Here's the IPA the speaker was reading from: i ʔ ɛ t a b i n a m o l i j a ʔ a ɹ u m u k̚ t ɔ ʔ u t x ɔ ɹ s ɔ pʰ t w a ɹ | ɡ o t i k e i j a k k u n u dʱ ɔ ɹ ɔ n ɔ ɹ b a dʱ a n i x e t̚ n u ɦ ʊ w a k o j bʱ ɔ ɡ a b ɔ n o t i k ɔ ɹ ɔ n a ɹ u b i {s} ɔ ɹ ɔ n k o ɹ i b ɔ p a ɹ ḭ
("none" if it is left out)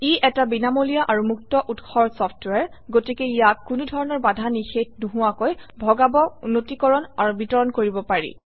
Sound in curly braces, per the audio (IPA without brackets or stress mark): t